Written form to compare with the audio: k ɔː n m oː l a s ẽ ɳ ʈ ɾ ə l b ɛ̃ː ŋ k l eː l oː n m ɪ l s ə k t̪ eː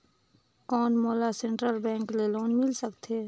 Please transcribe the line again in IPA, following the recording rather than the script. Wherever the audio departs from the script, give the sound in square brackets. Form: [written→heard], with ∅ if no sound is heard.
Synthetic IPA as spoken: k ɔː n m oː l a s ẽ ɳ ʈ ɾ ə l b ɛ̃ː ŋ k l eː l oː n m ɪ l s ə k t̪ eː